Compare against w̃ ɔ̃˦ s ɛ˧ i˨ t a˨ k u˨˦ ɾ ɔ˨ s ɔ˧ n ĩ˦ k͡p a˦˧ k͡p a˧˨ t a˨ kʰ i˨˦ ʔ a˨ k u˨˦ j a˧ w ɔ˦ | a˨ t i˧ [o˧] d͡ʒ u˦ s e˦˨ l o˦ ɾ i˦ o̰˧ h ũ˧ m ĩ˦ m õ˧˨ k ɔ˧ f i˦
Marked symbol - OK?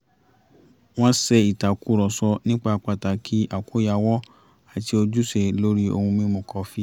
yes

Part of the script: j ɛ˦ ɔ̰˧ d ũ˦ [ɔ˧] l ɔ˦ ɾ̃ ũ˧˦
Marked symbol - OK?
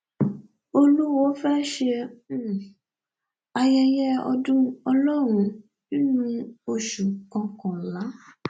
yes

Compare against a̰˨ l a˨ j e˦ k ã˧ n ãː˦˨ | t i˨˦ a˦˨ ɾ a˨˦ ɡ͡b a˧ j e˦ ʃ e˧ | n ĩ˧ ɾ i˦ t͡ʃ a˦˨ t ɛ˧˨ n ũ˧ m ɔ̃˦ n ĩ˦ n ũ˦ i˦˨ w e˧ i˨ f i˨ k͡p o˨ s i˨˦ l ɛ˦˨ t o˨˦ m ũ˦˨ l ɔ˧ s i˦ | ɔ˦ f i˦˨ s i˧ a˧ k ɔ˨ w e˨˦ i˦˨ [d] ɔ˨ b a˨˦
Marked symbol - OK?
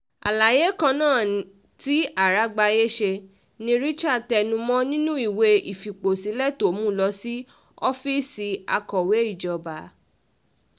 no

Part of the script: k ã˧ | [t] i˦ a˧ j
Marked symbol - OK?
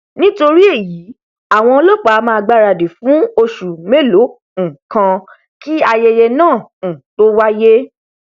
no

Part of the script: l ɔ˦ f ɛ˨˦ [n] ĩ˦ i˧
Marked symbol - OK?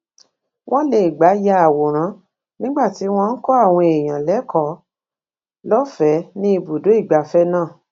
yes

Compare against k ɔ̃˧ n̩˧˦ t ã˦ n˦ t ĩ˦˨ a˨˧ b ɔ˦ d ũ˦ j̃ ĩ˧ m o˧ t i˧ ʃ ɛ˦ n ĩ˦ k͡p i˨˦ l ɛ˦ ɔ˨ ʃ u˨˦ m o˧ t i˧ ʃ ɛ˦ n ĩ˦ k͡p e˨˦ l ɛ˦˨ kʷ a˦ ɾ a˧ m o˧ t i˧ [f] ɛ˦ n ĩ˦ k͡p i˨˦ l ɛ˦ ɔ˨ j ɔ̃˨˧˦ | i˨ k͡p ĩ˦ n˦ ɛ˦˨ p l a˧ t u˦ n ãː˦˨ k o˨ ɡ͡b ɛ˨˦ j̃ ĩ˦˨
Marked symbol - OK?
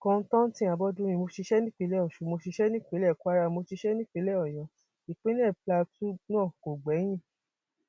no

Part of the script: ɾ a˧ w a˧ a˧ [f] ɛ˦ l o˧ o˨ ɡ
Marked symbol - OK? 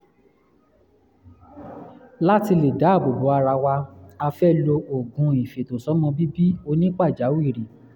yes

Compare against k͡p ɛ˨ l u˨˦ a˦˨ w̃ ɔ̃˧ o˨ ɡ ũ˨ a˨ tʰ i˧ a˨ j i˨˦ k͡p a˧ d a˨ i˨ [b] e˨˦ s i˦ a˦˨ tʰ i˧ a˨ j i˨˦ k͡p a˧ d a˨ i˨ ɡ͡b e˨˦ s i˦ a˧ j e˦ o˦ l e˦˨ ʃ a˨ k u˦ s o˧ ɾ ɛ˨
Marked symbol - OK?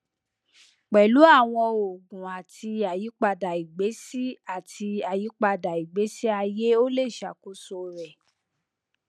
no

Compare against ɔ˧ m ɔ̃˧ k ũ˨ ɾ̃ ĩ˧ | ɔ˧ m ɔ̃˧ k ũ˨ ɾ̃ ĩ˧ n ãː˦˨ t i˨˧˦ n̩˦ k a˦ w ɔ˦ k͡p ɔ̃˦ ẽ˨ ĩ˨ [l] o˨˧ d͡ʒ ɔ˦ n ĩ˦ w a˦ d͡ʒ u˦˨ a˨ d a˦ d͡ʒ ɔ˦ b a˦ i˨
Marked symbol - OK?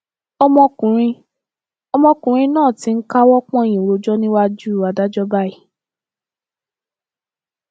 no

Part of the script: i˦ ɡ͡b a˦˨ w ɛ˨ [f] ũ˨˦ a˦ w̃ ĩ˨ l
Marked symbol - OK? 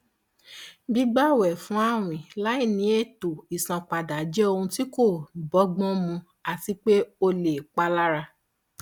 yes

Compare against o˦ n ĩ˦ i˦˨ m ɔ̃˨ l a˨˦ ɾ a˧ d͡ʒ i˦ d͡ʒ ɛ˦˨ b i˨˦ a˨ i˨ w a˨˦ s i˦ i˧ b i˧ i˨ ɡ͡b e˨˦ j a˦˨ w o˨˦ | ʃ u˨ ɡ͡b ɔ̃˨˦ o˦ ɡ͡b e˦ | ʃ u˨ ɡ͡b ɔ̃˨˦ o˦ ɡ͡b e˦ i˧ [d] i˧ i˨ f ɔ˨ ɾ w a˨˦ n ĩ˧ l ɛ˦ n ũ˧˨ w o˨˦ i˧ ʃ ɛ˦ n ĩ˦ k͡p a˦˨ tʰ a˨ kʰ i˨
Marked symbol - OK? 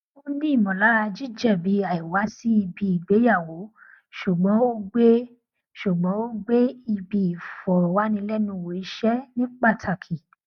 no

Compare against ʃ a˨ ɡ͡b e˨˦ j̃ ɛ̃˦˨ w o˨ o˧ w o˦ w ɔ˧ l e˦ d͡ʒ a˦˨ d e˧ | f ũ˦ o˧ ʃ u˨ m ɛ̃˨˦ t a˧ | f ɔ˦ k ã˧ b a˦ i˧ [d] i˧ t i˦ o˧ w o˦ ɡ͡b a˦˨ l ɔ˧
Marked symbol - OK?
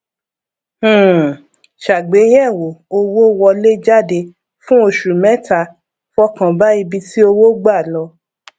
no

